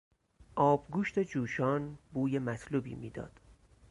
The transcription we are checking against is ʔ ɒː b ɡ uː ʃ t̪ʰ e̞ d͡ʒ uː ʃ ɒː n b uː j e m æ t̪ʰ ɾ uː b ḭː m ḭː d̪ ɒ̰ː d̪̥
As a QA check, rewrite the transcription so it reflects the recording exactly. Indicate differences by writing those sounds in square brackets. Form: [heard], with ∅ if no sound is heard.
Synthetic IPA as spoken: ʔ ɒː b ɡ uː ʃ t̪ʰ e̞ d͡ʒ uː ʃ ɒː n b uː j e m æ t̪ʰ [l] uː b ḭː m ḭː d̪ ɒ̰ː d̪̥